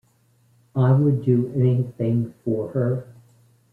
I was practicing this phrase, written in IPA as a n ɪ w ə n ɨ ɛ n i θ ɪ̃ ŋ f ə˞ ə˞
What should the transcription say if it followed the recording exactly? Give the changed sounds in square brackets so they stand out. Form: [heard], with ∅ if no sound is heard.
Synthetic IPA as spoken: a [∅] ɪ w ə [d] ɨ ɛ n i θ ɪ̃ ŋ f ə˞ ə˞